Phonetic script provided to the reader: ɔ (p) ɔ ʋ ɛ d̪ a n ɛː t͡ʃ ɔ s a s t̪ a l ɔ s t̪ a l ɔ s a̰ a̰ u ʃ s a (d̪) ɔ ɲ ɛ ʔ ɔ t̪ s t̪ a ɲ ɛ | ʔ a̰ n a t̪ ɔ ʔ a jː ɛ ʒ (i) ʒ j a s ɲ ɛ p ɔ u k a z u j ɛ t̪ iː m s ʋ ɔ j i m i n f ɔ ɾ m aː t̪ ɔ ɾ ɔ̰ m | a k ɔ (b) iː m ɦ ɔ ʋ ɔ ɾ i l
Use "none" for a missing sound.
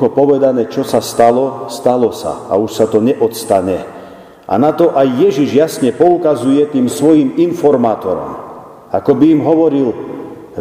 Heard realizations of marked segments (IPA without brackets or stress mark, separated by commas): p, t̪, i, b